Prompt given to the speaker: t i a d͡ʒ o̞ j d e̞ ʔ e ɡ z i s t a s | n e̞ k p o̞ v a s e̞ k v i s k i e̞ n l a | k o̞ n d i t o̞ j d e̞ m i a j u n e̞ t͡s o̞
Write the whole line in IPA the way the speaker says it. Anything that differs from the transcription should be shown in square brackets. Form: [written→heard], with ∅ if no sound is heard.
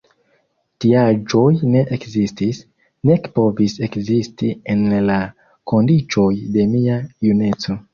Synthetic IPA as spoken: t i a d͡ʒ o̞ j [d→n] e̞ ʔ e [ɡ→k] z i s t [a→i] s | n e̞ k p o̞ v [a→i] s e̞ k [v→z] i s [k→t] i e̞ n l a | k o̞ n d i [t→t͡ʃ] o̞ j d e̞ m i a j u n e̞ t͡s o̞